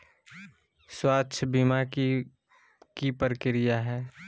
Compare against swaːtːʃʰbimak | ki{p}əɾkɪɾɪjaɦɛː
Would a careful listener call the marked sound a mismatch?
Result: no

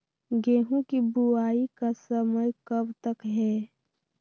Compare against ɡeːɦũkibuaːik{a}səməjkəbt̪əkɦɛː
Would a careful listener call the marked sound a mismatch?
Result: no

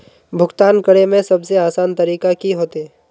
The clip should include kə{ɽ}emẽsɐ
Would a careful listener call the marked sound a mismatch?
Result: no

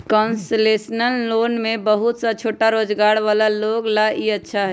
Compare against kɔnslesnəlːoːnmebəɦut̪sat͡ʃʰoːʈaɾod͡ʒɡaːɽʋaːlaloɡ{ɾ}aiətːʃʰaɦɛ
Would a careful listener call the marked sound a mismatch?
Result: yes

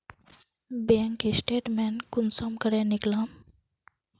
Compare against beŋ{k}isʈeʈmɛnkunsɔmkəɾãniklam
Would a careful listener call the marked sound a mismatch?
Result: no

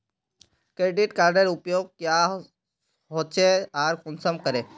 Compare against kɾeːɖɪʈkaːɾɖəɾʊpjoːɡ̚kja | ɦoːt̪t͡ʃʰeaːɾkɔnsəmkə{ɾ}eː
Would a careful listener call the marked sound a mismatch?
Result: no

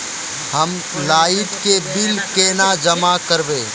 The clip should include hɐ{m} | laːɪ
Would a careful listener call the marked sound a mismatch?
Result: no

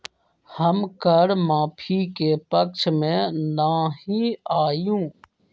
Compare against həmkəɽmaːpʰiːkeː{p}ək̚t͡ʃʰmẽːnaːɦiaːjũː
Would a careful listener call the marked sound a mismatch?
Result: no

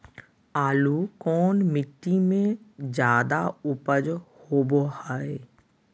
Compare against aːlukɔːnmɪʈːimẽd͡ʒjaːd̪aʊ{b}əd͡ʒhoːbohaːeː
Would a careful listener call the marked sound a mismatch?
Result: yes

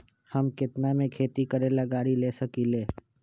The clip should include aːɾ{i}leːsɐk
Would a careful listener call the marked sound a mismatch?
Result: no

